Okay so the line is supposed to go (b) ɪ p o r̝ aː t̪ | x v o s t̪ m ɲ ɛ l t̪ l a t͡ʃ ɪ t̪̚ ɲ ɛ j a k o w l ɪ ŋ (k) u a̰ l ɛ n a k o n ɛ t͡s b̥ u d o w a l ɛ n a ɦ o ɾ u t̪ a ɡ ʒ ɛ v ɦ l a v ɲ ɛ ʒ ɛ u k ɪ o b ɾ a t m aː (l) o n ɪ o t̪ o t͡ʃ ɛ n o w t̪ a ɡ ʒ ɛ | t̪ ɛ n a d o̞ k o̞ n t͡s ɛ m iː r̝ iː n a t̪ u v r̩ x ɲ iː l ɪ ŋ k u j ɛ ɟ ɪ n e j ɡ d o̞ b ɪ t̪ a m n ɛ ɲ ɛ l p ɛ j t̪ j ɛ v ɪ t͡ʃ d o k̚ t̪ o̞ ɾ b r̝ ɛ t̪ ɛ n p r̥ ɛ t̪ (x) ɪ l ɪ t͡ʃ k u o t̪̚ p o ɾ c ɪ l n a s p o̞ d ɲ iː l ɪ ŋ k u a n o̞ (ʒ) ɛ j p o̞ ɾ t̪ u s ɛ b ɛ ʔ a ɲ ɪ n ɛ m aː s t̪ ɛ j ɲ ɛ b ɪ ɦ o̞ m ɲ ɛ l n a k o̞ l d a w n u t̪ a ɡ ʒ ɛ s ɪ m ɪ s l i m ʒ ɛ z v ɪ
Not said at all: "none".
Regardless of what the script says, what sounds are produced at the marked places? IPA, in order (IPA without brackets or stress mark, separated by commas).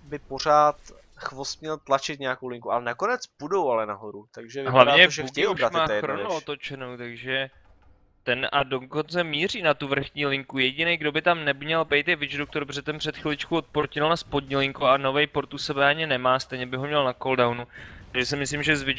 b, k, ɾ, x, v